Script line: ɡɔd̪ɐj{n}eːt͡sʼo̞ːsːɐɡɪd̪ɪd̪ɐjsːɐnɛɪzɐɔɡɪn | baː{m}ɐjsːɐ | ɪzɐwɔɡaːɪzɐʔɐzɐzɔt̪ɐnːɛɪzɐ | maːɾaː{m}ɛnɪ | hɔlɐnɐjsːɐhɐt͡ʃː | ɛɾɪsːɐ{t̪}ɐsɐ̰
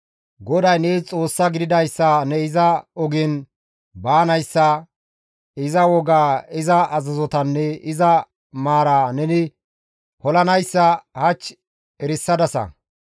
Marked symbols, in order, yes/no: yes, no, no, no

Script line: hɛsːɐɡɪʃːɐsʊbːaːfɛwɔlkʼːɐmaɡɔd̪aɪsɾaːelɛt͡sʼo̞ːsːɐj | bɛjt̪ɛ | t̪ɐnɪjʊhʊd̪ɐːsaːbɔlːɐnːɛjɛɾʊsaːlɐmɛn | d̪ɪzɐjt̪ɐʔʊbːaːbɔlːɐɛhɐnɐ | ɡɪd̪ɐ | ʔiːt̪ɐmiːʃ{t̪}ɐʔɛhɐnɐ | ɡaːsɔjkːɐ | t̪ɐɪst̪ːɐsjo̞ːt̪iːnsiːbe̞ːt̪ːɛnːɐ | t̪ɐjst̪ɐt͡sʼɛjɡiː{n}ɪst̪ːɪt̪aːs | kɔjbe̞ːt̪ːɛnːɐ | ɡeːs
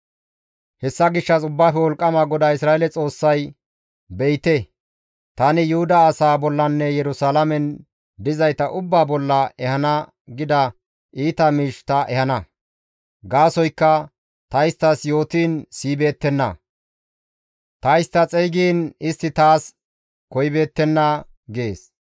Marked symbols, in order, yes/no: yes, yes

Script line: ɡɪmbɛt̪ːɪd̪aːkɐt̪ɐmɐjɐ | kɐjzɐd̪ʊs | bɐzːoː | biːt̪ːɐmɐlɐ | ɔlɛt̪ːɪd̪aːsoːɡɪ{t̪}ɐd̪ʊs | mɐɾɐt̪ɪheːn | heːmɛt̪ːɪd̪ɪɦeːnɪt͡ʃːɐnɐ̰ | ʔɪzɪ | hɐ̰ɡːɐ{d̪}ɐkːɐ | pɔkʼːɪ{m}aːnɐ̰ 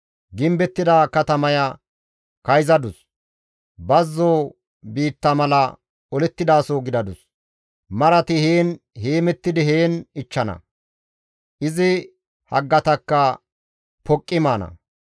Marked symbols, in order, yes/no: no, no, yes

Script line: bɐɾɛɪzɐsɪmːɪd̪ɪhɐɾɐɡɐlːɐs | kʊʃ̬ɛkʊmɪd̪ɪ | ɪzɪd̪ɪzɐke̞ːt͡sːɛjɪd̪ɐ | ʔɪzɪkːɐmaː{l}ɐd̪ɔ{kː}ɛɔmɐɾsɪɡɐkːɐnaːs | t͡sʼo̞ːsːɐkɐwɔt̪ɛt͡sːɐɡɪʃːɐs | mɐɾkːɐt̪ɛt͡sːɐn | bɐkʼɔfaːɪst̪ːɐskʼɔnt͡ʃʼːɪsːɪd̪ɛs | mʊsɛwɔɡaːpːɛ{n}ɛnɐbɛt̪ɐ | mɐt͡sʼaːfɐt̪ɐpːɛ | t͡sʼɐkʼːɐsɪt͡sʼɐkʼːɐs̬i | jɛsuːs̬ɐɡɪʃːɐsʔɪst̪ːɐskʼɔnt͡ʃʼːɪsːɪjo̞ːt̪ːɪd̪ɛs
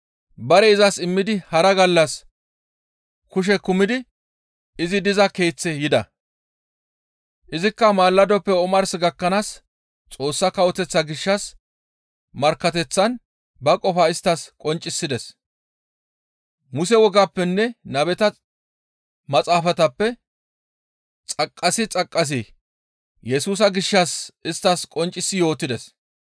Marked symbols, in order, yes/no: no, no, no

